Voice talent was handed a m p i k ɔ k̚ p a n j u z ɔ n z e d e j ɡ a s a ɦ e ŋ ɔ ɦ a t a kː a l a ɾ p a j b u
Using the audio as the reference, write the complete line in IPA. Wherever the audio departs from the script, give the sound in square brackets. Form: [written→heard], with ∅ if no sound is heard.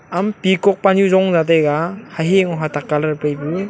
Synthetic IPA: a m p i k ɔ k̚ p a n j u z ɔ [n→ŋ] z [e→a] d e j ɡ a [s→h] a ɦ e ŋ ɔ ɦ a t a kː a l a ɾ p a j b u

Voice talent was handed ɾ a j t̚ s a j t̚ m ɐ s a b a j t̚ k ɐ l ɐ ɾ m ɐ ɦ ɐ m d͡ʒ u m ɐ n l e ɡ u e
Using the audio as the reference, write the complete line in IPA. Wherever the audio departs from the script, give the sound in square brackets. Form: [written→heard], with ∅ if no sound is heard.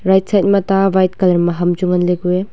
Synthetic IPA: ɾ a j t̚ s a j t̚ m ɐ [s→t] a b a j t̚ k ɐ l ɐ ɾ m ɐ ɦ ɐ m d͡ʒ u [m→ŋ] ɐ n l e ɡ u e

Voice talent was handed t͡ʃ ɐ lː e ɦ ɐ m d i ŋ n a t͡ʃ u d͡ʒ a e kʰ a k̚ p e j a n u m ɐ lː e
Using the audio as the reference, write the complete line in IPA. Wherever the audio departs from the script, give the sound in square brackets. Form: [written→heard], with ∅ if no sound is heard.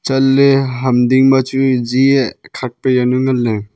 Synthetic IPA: t͡ʃ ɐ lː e ɦ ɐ m d i ŋ [n→m] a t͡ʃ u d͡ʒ [a→i] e kʰ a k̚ p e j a n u [m→ŋ] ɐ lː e

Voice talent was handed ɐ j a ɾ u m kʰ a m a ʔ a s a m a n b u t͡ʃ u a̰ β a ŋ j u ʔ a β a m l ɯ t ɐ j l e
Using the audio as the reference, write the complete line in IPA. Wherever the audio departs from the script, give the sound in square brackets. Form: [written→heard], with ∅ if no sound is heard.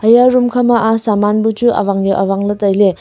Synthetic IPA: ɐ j a ɾ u m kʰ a m a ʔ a s a m a n b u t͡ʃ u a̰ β a ŋ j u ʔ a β a [m→ŋ] l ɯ t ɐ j l e

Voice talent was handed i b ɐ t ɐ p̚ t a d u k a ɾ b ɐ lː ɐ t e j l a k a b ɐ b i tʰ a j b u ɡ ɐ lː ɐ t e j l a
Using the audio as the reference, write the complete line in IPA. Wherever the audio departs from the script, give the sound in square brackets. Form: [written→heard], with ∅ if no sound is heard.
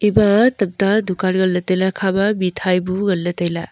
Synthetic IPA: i b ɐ t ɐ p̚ t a d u k a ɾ [b→ɡ] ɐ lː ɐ t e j l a [k→kʰ] a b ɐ b i tʰ a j b u ɡ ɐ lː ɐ t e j l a

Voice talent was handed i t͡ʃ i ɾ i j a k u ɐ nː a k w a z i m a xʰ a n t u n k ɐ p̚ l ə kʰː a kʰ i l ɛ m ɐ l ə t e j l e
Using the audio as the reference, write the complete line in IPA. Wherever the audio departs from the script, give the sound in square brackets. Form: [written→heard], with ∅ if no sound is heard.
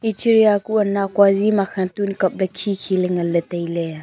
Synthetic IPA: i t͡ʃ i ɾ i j a k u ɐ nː a k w a z i m a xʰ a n t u n k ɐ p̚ l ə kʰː [a→i] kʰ i l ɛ [m→ŋ] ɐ l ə t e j l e

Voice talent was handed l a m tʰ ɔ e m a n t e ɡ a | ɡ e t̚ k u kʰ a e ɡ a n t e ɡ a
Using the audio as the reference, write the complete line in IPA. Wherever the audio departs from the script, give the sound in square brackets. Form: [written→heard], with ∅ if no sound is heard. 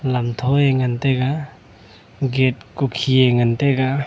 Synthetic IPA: l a m tʰ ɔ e [m→ŋ] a n t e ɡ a | ɡ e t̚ k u kʰ [a→i] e [ɡ→ŋ] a n t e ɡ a

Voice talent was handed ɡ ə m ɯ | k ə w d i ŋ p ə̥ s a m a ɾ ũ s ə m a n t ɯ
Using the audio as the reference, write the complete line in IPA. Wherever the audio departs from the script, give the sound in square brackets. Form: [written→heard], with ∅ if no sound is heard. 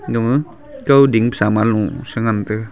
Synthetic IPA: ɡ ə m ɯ | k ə w d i ŋ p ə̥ s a m a [ɾ→l] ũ s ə [m→ŋ] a n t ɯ

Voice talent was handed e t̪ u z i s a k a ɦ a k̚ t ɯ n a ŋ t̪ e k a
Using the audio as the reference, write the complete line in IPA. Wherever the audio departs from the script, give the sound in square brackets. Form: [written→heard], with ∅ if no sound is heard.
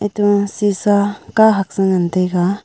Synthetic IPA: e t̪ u [z→s] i s a k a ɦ a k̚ [t→s] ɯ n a [ŋ→n] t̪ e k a

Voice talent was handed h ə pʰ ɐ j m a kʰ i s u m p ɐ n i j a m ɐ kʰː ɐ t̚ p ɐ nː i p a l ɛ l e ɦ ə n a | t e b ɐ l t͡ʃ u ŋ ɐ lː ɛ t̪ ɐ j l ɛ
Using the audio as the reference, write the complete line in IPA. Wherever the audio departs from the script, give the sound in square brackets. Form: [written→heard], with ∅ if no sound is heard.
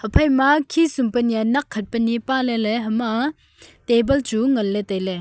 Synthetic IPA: h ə pʰ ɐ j m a kʰ i s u m p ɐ n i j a [m→n] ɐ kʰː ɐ t̚ p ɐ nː i p a l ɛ l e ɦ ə [n→m] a | t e b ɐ l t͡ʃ u ŋ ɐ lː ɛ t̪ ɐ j l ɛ

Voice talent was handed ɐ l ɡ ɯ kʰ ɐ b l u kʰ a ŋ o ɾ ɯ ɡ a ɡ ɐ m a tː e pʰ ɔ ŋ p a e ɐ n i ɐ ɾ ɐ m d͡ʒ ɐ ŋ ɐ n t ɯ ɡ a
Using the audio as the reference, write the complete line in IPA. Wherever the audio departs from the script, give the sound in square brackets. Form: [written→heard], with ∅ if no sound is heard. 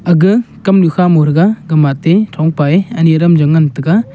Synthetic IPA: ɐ [l→∅] ɡ ɯ [kʰ→k] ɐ [b→m] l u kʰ a [ŋ→m] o ɾ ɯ ɡ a ɡ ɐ m a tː e [pʰ→tʰ] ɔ ŋ p a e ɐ n i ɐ ɾ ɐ m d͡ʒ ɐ ŋ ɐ n t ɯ ɡ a

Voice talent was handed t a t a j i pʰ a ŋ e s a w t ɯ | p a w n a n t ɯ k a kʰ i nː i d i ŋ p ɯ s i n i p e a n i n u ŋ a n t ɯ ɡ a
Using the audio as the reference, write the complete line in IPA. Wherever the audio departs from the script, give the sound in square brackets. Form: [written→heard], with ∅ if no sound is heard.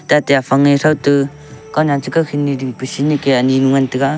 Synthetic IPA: t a t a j [i→a] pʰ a ŋ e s a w t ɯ | [p→k] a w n a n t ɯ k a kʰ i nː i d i ŋ p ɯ s i n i [p→k] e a n i n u ŋ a n t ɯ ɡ a

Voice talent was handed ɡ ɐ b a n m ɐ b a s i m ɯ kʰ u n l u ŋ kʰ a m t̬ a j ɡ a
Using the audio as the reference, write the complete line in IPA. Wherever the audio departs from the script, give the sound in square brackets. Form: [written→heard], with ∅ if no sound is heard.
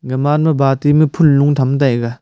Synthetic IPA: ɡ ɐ [b→m] a n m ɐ b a [s→t] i m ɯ [kʰ→pʰ] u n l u ŋ [kʰ→tʰ] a m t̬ a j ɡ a

